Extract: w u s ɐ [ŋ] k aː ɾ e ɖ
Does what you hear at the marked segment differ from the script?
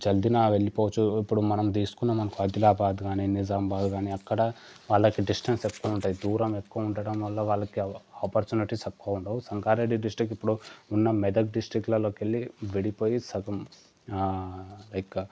no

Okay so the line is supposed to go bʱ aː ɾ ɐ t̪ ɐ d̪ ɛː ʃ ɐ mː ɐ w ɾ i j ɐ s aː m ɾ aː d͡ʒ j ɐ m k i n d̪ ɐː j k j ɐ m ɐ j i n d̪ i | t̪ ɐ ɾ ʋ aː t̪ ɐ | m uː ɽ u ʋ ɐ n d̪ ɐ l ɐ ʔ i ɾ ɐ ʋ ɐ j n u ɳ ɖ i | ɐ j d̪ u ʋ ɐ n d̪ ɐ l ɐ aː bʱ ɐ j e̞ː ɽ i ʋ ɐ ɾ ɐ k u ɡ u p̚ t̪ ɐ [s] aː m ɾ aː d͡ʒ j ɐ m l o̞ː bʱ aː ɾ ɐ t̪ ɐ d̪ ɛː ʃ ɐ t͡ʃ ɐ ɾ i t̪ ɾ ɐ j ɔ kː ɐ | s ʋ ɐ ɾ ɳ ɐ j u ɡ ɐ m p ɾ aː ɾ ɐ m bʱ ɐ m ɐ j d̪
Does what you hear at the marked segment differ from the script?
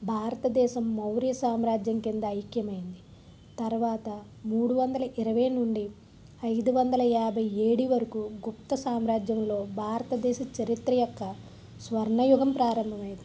no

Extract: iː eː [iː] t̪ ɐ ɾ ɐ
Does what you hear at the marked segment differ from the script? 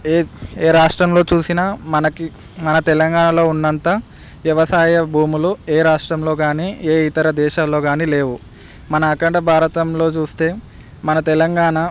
yes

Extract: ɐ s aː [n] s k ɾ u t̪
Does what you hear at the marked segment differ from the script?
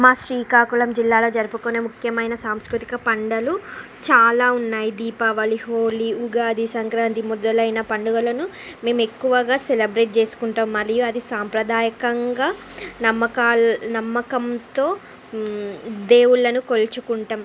yes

